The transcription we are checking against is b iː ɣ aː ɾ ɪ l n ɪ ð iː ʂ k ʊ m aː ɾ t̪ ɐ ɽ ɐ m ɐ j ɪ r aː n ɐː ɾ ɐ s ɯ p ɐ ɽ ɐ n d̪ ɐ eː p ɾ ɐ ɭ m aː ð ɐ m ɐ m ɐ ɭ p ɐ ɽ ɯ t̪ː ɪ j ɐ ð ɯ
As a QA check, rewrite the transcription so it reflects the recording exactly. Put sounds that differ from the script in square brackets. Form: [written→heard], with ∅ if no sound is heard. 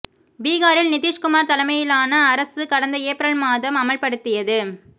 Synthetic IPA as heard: b iː ɣ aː ɾ ɪ l n ɪ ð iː ʂ k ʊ m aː ɾ t̪ ɐ [ɽ→l] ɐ m ɐ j ɪ [r→l] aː n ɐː ɾ ɐ s ɯ [p→k] ɐ ɽ ɐ n d̪ ɐ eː p ɾ ɐ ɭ m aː ð ɐ m ɐ m ɐ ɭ p ɐ ɽ ɯ t̪ː ɪ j ɐ ð ɯ